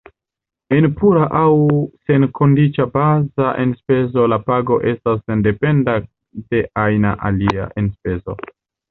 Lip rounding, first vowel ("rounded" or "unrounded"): unrounded